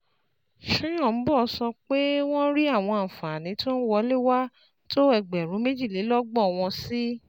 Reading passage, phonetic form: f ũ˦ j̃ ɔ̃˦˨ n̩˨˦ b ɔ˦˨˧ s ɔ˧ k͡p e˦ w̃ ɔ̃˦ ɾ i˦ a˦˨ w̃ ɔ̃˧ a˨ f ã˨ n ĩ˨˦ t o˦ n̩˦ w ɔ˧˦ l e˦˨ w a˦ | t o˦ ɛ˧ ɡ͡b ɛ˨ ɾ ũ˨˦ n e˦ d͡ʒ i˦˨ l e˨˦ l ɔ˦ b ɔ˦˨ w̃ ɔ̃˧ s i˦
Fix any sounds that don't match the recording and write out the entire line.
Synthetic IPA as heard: ʃ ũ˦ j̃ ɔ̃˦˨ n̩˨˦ b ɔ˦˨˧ s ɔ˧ k͡p e˦ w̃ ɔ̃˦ ɾ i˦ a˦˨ w̃ ɔ̃˧ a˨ f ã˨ n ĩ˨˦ t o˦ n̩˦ w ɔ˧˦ l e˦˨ w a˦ | t o˦ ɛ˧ ɡ͡b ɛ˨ ɾ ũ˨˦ m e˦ d͡ʒ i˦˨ l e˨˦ l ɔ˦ ɡ͡b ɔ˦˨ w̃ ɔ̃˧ s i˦